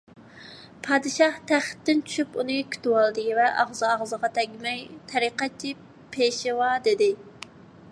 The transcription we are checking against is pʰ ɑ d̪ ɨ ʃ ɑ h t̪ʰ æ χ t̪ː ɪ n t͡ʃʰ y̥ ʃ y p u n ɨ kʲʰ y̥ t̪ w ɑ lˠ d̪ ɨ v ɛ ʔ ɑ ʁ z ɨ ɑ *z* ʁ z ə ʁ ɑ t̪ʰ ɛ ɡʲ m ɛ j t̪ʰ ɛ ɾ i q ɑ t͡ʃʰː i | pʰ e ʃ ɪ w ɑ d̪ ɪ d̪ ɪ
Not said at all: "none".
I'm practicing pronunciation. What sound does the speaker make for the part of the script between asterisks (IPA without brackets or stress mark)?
none